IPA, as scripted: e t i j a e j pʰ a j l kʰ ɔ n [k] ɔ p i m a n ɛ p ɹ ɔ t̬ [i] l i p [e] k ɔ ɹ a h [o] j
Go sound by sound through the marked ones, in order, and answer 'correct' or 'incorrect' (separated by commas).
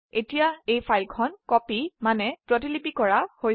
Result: correct, correct, incorrect, correct